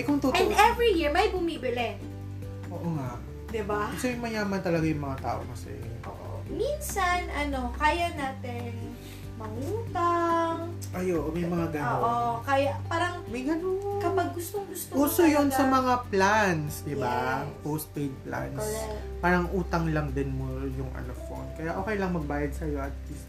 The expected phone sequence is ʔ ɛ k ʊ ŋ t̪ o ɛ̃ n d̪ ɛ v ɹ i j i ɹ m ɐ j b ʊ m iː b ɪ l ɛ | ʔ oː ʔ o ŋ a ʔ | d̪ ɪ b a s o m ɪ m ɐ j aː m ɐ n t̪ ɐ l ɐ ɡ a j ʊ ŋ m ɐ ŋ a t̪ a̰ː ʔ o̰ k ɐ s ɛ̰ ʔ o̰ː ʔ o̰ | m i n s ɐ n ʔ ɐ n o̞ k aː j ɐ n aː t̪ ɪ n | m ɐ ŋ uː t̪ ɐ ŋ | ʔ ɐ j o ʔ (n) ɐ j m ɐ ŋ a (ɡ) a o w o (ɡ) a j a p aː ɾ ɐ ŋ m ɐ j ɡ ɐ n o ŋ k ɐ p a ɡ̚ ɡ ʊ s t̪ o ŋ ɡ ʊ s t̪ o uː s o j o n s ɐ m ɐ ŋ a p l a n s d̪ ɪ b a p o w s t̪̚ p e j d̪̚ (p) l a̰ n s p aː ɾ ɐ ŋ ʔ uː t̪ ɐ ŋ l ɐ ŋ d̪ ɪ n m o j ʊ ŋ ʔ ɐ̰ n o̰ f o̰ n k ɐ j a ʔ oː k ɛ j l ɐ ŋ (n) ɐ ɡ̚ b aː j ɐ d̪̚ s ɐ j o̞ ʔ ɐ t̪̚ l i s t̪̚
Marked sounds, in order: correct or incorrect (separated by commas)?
incorrect, correct, incorrect, correct, incorrect